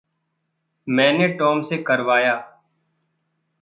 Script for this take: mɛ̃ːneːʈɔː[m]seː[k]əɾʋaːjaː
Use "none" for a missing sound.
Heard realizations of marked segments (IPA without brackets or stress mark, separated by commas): m, k